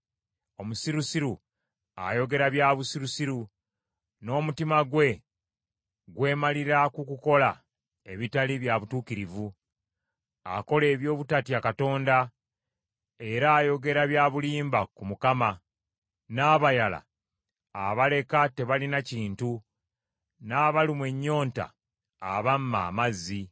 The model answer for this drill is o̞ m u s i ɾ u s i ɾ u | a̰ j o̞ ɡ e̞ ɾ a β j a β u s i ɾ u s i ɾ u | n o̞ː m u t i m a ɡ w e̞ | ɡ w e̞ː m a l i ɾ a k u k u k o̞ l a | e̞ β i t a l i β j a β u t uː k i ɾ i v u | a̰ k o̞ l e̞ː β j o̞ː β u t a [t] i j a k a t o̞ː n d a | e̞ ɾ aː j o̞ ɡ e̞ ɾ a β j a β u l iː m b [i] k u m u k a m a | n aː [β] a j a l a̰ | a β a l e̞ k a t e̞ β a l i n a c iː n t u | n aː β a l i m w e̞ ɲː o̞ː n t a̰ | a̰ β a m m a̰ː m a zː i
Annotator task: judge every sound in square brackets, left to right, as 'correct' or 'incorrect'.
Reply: correct, incorrect: a, correct

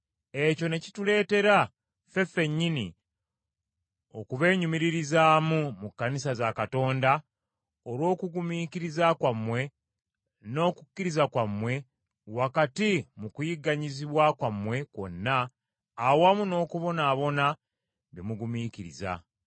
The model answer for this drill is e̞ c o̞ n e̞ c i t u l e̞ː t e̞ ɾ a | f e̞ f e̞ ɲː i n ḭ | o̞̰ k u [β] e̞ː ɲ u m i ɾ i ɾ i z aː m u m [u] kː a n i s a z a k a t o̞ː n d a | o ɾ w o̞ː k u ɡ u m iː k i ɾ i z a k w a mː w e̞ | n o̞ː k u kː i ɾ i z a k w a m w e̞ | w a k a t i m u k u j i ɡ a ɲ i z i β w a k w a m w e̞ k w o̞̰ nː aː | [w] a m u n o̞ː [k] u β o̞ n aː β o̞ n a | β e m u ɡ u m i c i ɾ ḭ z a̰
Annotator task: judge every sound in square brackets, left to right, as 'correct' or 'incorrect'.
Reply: correct, correct, correct, correct

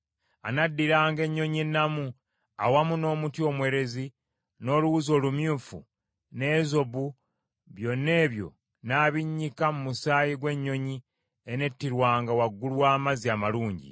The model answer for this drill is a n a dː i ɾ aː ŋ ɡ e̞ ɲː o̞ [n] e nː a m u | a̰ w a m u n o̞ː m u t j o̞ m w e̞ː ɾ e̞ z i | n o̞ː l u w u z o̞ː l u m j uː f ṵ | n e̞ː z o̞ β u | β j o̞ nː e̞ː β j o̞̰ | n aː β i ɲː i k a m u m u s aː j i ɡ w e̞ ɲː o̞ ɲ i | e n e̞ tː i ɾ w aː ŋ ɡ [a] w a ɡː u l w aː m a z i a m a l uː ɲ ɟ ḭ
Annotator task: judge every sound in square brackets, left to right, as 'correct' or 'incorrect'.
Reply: incorrect: ɲ, correct

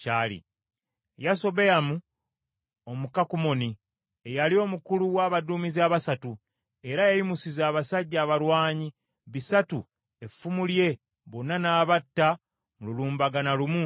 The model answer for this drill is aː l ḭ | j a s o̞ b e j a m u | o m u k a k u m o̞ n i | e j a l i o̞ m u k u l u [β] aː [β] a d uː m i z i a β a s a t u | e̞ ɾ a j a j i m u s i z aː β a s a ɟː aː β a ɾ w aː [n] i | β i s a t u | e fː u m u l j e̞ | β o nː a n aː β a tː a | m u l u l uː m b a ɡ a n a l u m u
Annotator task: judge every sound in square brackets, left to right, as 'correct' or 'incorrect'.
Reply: incorrect: w, correct, incorrect: ɲ

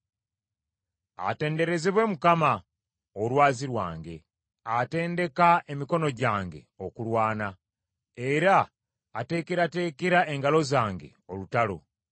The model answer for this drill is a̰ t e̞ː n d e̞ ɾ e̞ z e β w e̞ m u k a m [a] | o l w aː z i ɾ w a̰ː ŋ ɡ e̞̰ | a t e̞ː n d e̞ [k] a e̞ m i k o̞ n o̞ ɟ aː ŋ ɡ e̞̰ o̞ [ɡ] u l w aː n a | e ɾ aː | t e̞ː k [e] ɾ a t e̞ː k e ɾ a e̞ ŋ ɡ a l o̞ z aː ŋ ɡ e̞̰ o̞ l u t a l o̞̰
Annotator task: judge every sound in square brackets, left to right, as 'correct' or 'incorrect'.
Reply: correct, correct, incorrect: k, correct

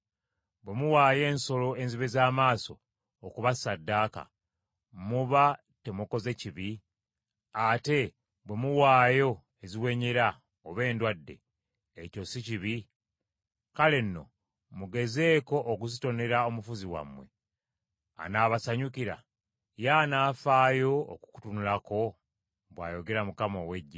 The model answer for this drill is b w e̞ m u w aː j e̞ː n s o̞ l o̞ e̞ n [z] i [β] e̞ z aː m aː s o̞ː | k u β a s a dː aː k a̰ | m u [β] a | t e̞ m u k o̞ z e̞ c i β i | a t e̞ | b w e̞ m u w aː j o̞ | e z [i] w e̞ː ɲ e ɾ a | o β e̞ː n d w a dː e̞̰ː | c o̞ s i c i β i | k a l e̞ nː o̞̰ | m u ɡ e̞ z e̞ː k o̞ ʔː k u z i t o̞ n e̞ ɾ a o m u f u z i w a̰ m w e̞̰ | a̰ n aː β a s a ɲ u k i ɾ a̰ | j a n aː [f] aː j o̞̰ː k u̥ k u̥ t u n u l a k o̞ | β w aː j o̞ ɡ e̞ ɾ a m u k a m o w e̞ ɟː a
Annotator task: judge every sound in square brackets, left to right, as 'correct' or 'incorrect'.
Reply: correct, correct, correct, correct, correct

